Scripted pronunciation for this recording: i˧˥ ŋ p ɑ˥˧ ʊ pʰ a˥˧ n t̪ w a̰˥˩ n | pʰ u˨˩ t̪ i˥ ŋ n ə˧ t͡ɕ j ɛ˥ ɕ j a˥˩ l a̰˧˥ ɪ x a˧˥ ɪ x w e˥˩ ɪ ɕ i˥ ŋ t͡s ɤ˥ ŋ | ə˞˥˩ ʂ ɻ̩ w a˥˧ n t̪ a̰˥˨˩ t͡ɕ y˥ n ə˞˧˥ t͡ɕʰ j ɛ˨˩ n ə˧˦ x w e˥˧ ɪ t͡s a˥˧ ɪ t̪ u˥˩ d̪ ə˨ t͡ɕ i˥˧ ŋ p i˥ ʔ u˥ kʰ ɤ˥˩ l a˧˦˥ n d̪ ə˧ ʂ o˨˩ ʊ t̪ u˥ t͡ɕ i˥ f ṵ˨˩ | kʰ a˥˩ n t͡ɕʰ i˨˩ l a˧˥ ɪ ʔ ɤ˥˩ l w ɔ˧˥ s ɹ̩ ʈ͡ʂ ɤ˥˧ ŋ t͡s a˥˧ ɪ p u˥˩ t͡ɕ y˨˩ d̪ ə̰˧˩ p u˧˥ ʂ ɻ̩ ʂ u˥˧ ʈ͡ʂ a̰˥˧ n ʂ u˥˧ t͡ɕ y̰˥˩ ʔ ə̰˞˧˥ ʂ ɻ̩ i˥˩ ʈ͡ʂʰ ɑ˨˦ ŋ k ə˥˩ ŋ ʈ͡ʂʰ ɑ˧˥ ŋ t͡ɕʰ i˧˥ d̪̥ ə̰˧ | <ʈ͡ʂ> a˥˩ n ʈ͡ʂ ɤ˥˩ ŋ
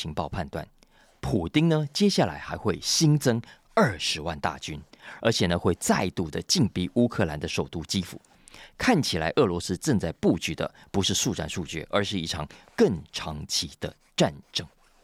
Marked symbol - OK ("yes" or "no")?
yes